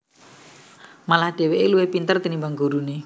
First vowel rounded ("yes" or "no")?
no